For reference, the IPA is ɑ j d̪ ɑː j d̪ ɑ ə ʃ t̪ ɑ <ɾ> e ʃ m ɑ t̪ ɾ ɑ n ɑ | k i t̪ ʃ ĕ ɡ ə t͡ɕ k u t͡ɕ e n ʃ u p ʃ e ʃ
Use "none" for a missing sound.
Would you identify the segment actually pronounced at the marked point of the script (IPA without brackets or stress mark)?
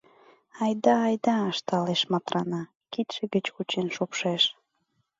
l